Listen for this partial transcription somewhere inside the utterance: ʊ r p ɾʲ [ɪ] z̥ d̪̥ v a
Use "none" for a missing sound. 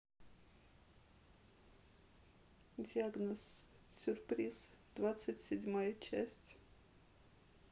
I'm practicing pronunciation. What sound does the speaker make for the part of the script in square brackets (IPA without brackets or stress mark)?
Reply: i